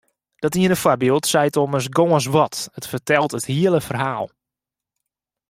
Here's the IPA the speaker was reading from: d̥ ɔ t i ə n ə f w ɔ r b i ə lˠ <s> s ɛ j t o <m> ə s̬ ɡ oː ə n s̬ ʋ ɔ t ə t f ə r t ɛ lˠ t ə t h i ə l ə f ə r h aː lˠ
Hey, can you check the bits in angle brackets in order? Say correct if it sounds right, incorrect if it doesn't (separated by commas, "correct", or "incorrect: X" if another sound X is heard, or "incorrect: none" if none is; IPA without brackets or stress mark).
incorrect: t, correct